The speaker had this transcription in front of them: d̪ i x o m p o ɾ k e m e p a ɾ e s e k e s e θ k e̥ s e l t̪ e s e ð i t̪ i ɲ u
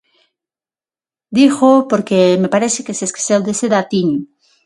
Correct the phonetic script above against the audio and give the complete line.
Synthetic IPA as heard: d̪ i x o p o ɾ k e m e p a ɾ e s e k e s e s k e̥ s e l d̪ e s e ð a t̪ i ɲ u